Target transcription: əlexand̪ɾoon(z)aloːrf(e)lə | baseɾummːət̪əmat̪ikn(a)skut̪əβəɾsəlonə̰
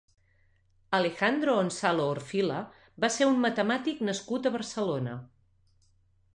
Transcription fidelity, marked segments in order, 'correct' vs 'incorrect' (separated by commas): incorrect, incorrect, incorrect